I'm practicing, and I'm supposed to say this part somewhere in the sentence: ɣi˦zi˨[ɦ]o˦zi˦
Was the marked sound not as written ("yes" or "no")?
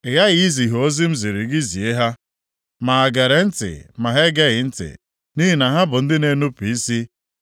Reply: no